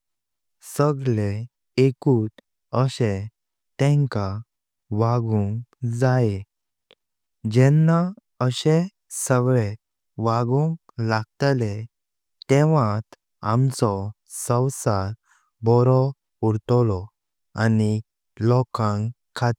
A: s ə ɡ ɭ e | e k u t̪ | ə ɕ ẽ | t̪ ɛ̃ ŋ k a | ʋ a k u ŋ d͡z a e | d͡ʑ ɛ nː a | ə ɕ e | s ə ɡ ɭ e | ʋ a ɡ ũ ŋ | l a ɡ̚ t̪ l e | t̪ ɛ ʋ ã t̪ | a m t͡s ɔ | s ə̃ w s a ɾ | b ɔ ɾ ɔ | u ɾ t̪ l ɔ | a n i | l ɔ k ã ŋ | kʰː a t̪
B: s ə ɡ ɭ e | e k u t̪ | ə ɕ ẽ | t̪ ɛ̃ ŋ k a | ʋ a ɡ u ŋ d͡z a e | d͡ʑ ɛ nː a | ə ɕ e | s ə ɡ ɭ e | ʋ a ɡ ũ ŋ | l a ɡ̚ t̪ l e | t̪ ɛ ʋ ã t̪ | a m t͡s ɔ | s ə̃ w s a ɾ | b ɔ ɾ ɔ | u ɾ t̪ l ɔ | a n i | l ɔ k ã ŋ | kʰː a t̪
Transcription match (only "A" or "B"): B